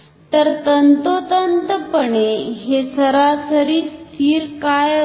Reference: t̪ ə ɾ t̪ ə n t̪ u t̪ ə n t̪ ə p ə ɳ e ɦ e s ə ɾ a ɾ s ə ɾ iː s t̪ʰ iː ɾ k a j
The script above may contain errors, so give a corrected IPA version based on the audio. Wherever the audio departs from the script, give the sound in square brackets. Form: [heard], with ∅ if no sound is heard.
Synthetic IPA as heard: t̪ ə ɾ t̪ ə n t̪ [o] t̪ ə n t̪ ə p ə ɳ e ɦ e s ə ɾ a [∅] s ə ɾ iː s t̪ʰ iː ɾ k a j